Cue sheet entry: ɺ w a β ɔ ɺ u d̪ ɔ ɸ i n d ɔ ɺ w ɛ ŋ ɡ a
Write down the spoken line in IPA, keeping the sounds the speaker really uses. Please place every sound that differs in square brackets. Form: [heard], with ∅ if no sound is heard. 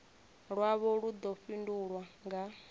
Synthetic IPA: ɺ w a β ɔ ɺ u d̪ ɔ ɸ i n d [u] ɺ w [a] ŋ ɡ a